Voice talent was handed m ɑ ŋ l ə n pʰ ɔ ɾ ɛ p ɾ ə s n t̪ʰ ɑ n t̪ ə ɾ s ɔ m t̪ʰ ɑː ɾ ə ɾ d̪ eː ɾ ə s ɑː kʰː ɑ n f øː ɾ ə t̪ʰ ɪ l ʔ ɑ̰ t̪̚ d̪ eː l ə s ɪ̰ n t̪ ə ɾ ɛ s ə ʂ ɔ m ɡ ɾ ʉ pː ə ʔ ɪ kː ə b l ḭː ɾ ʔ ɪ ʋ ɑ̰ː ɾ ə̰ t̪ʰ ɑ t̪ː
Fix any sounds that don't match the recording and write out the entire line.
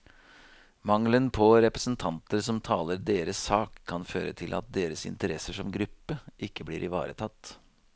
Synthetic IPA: m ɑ ŋ l ə n pʰ ɔ ɾ ɛ p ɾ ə s n t̪ʰ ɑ n t̪ ə ɾ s ɔ m t̪ʰ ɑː l ə ɾ d̪ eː ɾ ə s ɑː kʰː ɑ n f øː ɾ ə t̪ʰ ɪ l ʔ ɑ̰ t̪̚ d̪ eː ɾ ə s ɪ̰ n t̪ ə ɾ ɛ s ə ʂ ɔ m ɡ ɾ ʉ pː ə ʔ ɪ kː ə b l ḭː ɾ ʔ ɪ ʋ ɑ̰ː ɾ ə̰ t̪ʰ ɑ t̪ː